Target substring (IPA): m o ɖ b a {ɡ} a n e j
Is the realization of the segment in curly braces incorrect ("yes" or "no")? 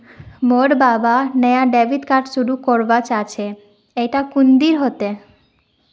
yes